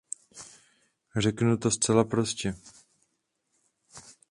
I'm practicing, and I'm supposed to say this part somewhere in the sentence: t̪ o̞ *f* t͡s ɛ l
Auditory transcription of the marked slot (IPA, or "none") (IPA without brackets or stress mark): s